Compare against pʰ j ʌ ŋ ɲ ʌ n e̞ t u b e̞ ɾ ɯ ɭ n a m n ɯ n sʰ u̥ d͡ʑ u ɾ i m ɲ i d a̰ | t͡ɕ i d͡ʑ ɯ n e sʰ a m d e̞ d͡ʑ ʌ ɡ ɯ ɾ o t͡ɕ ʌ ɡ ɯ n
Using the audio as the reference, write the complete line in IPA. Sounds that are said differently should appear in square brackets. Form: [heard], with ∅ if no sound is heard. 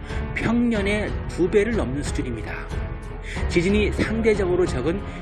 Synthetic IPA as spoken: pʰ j ʌ ŋ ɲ ʌ n e̞ t u b e̞ ɾ ɯ ɭ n [ʌ] m n ɯ n sʰ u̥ d͡ʑ u ɾ i m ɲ i d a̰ | t͡ɕ i d͡ʑ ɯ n [i] sʰ a [ŋ] d e̞ d͡ʑ ʌ ɡ ɯ ɾ o t͡ɕ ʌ ɡ ɯ n